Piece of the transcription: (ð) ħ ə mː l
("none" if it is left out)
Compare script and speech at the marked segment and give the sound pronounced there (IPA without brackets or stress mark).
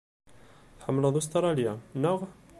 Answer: θ